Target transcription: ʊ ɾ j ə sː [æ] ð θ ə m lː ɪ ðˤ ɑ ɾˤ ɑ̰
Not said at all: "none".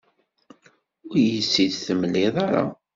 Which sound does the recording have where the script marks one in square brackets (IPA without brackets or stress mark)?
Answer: i